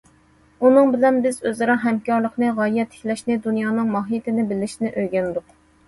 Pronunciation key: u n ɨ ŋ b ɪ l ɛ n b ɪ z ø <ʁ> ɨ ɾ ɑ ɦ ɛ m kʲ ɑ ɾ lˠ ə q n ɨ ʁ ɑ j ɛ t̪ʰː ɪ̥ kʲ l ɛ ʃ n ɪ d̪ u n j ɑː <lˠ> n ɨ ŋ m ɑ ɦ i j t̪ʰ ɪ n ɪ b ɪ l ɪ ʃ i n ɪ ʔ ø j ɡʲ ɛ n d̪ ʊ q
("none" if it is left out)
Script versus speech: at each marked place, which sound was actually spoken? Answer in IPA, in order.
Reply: z, none

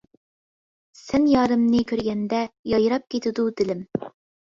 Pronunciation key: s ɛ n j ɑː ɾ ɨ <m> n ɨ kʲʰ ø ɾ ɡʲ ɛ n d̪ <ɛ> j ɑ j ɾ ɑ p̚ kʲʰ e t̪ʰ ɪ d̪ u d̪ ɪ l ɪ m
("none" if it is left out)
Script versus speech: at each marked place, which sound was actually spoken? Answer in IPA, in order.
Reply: m, ɛ

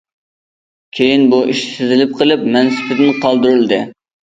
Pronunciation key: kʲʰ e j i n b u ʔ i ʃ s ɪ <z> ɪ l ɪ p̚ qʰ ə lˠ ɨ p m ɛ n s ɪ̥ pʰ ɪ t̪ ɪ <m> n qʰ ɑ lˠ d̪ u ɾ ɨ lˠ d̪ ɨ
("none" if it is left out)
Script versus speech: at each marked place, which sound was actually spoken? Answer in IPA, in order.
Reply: z, none

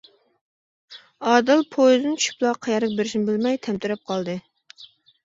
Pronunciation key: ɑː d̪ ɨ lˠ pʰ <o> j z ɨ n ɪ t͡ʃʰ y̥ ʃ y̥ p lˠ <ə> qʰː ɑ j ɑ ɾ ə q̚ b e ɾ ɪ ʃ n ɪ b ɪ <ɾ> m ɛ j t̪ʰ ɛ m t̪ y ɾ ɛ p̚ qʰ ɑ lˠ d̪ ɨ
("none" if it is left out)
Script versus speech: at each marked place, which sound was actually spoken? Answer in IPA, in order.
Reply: o, ɑ, l

